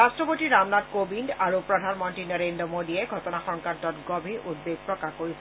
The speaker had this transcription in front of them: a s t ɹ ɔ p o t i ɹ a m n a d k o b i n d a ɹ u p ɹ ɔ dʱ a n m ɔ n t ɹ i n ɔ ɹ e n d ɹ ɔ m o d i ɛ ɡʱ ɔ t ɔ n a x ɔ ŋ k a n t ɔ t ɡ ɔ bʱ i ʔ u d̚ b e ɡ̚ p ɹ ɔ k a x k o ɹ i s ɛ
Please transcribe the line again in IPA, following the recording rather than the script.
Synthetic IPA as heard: a s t ɹ ɔ p o t i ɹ a m n a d k o b i n d a ɹ u p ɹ ɔ dʱ a n m ɔ n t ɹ i n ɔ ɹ e n d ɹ ɔ m o d i ɛ ɡʱ ɔ t ɔ n a x ɔ ŋ k a n t ɔ t ɡ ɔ bʱ i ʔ u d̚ b e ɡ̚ p ɹ ɔ k a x k o ɹ i s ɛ